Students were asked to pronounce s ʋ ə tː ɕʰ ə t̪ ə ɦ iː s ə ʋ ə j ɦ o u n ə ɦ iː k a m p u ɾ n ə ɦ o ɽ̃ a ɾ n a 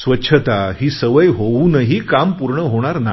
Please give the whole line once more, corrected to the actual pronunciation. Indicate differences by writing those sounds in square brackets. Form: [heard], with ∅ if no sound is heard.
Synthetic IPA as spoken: s ʋ ə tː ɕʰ ə t̪ [a] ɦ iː s ə ʋ ə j ɦ o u n ə ɦ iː k a m p u ɾ [ɳ] ə ɦ o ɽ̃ a ɾ n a